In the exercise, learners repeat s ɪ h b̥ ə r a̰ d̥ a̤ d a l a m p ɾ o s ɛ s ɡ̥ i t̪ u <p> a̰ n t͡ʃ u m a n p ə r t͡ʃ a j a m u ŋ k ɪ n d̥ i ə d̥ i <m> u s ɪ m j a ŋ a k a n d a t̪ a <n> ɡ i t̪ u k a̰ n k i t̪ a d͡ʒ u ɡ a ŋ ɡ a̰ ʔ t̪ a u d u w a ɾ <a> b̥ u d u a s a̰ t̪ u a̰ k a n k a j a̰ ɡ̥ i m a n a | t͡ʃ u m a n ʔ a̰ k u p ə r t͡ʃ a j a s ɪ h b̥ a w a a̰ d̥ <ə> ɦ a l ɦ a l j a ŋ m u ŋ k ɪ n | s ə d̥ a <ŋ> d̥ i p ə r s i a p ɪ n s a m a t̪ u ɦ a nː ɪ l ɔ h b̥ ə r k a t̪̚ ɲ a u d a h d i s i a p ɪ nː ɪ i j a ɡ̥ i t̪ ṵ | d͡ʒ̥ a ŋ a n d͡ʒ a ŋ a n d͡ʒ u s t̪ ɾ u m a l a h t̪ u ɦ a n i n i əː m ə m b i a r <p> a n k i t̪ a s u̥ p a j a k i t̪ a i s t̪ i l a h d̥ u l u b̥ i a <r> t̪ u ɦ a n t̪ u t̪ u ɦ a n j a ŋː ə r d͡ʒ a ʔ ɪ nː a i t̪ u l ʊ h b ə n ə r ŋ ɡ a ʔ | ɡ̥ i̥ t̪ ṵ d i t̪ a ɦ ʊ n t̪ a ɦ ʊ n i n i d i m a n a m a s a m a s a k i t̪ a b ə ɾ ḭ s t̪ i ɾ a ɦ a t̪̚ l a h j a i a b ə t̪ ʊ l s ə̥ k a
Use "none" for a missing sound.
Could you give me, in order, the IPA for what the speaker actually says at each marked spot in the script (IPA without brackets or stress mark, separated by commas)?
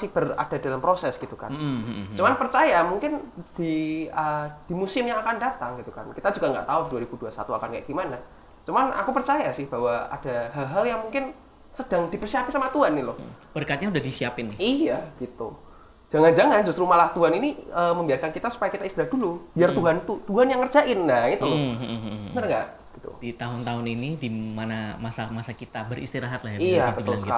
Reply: k, m, ŋ, i, a, ŋ, k, r